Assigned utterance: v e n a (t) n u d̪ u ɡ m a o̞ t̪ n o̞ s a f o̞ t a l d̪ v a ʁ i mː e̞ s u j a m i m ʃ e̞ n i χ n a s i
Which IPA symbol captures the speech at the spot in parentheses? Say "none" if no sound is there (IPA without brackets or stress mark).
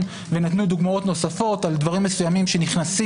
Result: t